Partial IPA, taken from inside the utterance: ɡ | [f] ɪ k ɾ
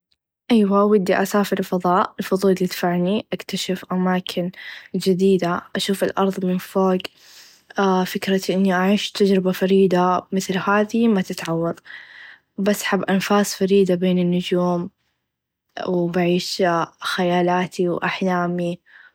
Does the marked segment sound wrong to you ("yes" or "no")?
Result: no